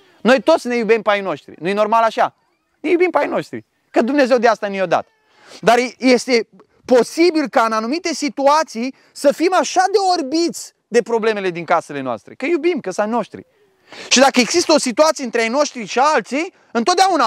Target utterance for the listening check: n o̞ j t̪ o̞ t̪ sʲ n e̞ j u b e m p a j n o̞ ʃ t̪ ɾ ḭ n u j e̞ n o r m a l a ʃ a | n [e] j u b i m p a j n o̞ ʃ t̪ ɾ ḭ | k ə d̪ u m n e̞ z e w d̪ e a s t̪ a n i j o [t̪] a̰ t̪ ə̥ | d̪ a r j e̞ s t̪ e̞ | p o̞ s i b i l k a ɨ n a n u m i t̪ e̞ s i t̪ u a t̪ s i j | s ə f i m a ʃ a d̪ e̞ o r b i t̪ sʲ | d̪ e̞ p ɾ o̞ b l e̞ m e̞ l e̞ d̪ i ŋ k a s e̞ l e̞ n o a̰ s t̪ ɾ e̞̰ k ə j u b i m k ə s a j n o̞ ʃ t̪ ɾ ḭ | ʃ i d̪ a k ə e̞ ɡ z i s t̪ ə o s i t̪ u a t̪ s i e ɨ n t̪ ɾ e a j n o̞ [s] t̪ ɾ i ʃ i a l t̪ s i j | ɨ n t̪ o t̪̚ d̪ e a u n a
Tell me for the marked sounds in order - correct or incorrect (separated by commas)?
correct, incorrect, incorrect